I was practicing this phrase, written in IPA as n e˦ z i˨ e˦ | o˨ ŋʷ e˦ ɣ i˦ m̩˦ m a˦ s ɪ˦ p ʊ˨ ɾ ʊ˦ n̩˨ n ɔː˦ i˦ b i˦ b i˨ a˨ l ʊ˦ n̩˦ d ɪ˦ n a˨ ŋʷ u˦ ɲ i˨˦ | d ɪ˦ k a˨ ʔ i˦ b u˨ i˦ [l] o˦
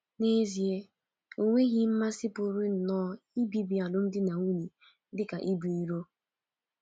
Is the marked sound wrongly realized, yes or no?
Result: yes